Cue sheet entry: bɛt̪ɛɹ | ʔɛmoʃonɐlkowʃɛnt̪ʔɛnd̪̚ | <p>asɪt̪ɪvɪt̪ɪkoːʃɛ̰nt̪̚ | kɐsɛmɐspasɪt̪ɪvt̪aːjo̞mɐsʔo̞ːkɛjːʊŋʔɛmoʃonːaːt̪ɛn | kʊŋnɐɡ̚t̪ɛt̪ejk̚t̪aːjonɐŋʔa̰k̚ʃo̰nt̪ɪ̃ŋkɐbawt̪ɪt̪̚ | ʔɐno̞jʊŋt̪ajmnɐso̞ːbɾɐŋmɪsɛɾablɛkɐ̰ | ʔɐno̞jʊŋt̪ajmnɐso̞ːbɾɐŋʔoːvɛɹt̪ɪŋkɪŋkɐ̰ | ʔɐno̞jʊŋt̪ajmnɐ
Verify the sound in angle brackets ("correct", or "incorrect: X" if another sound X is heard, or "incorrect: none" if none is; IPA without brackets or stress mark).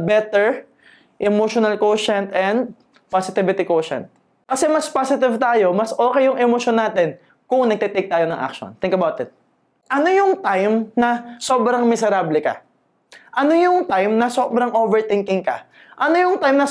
correct